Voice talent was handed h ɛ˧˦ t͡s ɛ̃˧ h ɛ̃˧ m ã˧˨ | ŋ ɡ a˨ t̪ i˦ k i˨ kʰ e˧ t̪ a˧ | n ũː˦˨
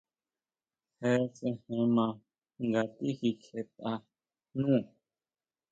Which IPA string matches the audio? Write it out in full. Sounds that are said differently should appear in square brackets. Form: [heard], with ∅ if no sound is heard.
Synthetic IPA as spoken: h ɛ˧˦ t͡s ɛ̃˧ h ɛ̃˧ m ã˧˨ | ŋ ɡ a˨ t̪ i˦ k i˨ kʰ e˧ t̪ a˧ | n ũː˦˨